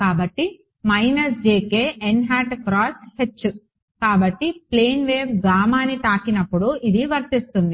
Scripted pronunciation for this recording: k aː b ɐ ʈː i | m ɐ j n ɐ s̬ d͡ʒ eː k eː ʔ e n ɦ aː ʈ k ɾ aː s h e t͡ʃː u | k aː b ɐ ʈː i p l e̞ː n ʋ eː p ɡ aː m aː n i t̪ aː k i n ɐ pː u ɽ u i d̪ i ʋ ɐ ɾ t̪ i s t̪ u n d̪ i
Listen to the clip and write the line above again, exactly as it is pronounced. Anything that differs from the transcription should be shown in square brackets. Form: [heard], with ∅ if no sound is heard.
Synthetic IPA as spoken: k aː b ɐ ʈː i | m ɐ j n ɐ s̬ d͡ʒ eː k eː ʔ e n ɦ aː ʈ k ɾ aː s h e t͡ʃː u | k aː b ɐ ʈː i p l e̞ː n ʋ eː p ɡ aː m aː n i t̪ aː k i n ɐ pː u ɽ u i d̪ i ʋ ɐ ɾ t̪ i s t̪ u n d̪ i

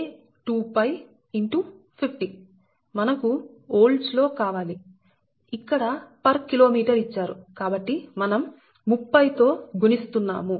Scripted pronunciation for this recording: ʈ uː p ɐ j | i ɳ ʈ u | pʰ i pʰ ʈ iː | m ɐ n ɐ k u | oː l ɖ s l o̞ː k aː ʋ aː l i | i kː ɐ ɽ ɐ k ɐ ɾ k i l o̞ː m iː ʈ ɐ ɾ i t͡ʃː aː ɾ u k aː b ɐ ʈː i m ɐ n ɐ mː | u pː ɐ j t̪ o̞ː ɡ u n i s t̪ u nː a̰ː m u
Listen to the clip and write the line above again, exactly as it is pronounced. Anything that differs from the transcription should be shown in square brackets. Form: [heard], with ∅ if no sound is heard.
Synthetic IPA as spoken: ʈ uː p ɐ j | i ɳ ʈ u | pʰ i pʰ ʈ [i] | m ɐ n ɐ k u | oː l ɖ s l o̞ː k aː ʋ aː l i | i kː ɐ ɽ ɐ [p] ɐ ɾ k i l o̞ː m iː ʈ ɐ ɾ i t͡ʃː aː ɾ u k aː b ɐ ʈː i m ɐ n ɐ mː | u pː ɐ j t̪ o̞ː ɡ u n i s t̪ u nː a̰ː m u

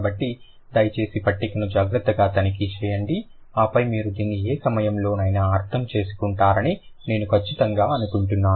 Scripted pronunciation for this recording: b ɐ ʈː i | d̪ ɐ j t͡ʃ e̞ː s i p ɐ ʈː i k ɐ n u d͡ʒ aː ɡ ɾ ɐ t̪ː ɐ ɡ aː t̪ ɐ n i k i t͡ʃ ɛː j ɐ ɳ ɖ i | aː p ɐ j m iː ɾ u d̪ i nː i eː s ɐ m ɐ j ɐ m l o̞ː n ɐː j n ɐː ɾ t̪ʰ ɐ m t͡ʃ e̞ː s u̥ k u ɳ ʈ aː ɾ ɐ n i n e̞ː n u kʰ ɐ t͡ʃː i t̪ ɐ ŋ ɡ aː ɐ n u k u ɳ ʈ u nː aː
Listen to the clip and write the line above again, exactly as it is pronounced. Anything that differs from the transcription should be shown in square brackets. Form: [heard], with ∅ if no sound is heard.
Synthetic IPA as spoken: b ɐ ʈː i | d̪ ɐ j t͡ʃ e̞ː s i p ɐ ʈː i k ɐ n u d͡ʒ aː ɡ ɾ ɐ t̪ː ɐ ɡ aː t̪ ɐ n i k i t͡ʃ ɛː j ɐ ɳ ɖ i | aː p ɐ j m iː ɾ u d̪ [iː] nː i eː s ɐ m ɐ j ɐ m l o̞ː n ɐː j n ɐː ɾ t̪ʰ ɐ m t͡ʃ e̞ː s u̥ k u ɳ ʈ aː ɾ ɐ n i n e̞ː n u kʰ ɐ t͡ʃː i t̪ ɐ ŋ ɡ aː ɐ n u k u ɳ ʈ u nː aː

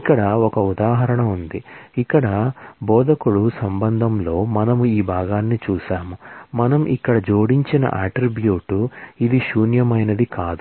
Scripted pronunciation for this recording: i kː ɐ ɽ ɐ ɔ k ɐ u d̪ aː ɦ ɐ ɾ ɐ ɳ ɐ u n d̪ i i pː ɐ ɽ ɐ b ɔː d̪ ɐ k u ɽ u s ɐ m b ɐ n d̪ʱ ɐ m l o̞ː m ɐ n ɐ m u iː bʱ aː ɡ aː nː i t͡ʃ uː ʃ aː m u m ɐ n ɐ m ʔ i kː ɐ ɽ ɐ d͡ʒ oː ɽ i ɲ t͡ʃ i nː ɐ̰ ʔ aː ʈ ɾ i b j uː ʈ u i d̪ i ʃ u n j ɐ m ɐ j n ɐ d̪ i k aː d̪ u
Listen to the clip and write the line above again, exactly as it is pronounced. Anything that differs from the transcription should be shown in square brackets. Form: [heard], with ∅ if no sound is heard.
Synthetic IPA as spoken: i kː ɐ ɽ ɐ ɔ k ɐ u d̪ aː ɦ ɐ ɾ ɐ ɳ ɐ u n d̪ i i [kː] ɐ ɽ ɐ b ɔː d̪ ɐ k u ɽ u s ɐ m b ɐ n d̪ʱ ɐ m l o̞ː m ɐ n ɐ m u iː bʱ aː ɡ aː nː i t͡ʃ uː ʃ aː m u m ɐ n ɐ m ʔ i kː ɐ ɽ ɐ d͡ʒ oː ɽ i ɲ t͡ʃ i [n] ɐ̰ ʔ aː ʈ ɾ i b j uː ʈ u i d̪ i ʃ [uː] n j ɐ m ɐ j n ɐ d̪ i k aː d̪ u

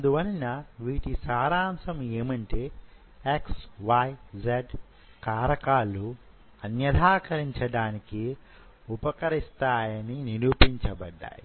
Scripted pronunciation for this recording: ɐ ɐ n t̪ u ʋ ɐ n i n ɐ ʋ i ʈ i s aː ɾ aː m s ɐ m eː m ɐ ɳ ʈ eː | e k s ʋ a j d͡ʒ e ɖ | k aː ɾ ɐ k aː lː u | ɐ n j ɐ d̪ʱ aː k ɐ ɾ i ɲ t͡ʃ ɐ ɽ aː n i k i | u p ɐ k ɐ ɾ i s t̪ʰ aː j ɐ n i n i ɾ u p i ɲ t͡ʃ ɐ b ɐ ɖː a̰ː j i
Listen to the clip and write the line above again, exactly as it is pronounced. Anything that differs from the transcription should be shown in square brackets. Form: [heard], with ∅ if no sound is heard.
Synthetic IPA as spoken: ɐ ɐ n [d̪] u ʋ ɐ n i n ɐ ʋ [iː] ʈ i s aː ɾ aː m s ɐ m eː m ɐ ɳ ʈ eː | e k s ʋ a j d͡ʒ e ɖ | k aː ɾ ɐ k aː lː u | ɐ n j ɐ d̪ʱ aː k ɐ ɾ i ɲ t͡ʃ ɐ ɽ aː n i k i | u p ɐ k ɐ ɾ i s [t̪] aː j ɐ n i n i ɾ u p i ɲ t͡ʃ ɐ b ɐ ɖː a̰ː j i

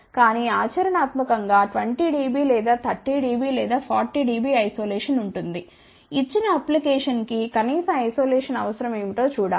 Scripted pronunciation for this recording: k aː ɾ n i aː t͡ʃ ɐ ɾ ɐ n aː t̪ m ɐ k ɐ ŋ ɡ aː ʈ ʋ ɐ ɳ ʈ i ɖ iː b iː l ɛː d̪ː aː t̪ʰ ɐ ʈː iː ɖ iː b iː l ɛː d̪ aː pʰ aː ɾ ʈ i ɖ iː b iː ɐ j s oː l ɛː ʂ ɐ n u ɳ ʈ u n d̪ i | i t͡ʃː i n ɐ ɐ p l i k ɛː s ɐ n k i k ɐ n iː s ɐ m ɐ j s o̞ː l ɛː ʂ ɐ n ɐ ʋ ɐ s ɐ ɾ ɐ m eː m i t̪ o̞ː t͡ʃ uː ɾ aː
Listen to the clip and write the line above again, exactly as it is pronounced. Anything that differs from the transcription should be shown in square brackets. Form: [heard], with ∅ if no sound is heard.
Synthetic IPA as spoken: k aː [∅] n i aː t͡ʃ ɐ ɾ ɐ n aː t̪ m ɐ k ɐ ŋ ɡ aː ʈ ʋ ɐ ɳ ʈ i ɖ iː b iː l ɛː [d̪] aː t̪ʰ ɐ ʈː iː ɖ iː b iː l ɛː d̪ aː pʰ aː ɾ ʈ i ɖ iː b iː ɐ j s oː l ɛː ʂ ɐ n u ɳ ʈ u n d̪ i | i t͡ʃː i n ɐ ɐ p l i k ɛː [ʂ] ɐ n k i k ɐ n iː s ɐ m ɐ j s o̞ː l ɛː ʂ ɐ n ɐ ʋ ɐ s ɐ ɾ ɐ m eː m i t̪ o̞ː t͡ʃ uː [ɽ] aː

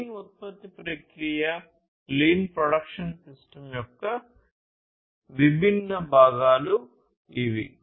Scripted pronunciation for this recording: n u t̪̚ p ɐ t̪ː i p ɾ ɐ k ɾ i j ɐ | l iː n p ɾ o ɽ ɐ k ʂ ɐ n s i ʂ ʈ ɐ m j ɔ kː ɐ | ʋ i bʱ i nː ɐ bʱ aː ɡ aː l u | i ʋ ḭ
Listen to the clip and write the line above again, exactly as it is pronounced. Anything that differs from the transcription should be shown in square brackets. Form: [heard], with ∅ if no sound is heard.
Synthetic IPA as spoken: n u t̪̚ p ɐ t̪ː i p ɾ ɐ k ɾ i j ɐ | l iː n p ɾ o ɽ ɐ k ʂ ɐ n s i [s] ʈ ɐ m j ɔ kː ɐ | ʋ i bʱ i nː ɐ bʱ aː ɡ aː l u | i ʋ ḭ

